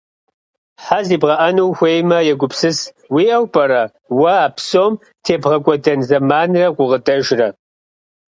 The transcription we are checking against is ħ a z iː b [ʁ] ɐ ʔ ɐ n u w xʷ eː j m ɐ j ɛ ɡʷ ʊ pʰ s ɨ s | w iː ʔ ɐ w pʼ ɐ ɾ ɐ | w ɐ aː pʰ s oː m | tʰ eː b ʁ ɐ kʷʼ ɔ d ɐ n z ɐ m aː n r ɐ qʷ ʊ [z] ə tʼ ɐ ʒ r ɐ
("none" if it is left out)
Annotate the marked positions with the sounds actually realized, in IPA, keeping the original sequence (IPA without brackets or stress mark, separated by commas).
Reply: ʁ, ʁ